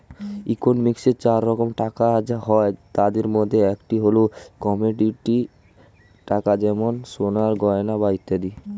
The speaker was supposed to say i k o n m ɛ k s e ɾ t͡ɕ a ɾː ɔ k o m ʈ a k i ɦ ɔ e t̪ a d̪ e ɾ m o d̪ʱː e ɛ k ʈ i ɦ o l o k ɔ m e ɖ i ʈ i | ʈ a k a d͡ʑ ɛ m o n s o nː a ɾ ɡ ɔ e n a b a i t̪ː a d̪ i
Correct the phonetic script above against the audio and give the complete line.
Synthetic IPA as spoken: i k o n m i k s e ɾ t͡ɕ a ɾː ɔ k o m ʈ a k a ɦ ɔ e t̪ a d̪ e ɾ m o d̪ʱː e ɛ k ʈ i ɦ o l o k ɔ m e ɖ i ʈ i | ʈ a k a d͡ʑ ɛ m o n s o n a ɾ ɡ ɔ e n a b a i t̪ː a d̪ i